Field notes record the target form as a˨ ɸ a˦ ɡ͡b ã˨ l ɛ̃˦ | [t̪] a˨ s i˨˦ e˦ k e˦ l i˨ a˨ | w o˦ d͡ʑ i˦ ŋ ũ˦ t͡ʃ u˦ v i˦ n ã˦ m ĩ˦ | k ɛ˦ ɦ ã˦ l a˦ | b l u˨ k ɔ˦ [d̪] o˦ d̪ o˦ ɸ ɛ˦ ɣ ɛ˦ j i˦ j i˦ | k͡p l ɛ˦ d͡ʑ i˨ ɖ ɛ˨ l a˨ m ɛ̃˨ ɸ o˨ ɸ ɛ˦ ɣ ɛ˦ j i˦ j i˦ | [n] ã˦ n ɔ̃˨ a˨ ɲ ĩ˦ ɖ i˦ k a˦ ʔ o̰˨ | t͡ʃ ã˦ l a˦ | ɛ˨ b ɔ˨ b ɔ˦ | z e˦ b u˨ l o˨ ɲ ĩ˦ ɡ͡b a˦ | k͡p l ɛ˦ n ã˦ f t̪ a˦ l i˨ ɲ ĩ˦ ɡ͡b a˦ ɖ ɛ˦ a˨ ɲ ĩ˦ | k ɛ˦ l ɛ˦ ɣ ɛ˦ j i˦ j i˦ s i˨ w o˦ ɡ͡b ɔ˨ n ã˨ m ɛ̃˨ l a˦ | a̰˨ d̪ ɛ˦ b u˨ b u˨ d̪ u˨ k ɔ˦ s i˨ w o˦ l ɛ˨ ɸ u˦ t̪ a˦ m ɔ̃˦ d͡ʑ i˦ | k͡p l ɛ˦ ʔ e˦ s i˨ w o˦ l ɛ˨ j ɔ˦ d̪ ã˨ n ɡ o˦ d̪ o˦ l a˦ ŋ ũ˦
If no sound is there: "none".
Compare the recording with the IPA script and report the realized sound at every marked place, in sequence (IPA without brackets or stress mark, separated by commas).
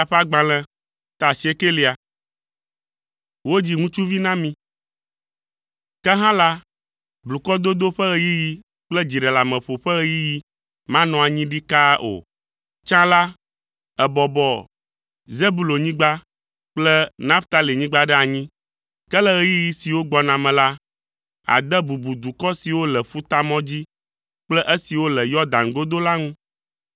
t̪, d̪, m